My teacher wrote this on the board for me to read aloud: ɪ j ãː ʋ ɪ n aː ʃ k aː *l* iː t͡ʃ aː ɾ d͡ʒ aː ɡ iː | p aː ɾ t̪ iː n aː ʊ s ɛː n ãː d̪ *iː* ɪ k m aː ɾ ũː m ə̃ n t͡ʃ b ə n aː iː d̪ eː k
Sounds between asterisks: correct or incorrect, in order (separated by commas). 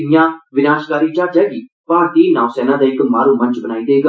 incorrect, incorrect